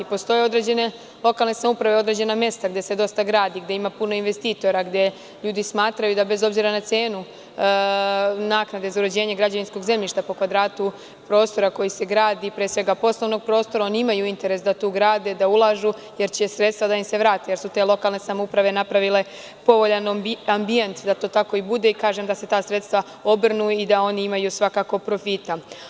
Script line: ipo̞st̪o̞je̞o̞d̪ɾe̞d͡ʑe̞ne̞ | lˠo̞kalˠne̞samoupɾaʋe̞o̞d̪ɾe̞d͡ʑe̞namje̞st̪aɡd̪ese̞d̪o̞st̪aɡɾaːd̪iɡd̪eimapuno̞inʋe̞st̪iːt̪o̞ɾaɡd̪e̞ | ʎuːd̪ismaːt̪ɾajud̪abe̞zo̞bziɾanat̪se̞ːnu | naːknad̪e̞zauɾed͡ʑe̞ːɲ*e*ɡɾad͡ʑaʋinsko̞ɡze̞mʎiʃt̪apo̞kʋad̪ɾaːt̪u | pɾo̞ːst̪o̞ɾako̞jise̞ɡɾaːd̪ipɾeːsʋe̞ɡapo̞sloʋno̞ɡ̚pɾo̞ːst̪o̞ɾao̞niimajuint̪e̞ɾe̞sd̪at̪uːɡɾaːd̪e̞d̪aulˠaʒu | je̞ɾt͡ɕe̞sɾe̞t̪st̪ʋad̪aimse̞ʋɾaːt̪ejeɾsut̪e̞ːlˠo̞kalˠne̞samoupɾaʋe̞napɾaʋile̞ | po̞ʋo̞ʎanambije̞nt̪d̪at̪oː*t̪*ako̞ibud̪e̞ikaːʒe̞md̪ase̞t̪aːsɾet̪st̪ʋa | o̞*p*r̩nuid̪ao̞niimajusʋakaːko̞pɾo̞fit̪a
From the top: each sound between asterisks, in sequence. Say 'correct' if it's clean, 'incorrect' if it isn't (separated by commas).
correct, correct, incorrect